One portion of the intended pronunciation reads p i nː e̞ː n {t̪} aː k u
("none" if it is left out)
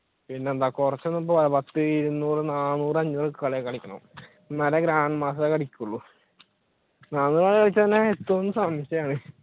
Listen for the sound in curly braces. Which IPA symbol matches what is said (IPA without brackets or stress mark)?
d̪